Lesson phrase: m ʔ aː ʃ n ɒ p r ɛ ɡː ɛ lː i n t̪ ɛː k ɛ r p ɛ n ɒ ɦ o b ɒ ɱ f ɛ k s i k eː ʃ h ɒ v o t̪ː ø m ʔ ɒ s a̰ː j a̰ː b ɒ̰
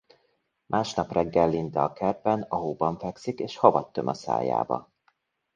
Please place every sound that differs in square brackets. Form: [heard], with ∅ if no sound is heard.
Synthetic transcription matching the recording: m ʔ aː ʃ n ɒ p r ɛ ɡː ɛ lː i n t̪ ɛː k ɛ r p ɛ n ɒ ɦ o b ɒ ɱ f ɛ k s i k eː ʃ h ɒ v [ɒ] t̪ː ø m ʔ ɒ s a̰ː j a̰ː b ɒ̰